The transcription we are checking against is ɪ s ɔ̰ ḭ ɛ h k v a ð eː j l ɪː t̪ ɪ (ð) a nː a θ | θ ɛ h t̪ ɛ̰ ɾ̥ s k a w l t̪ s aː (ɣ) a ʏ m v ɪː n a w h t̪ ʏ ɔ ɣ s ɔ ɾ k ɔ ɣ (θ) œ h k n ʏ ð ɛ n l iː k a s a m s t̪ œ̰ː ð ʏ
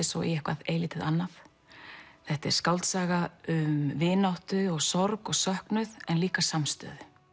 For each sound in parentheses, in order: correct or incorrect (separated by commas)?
correct, correct, incorrect